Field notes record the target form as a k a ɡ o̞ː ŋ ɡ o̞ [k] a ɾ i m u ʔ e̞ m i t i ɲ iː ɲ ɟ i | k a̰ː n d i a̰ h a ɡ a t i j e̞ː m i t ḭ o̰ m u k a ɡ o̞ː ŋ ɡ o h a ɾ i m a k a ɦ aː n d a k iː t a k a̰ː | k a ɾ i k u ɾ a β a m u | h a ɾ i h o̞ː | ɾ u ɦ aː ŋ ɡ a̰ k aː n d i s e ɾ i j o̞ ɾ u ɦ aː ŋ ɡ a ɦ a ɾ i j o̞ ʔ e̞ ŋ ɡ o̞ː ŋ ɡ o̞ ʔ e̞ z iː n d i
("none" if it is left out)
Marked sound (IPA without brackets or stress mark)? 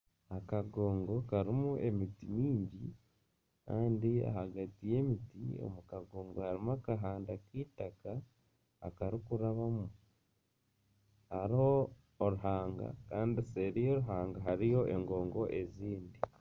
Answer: k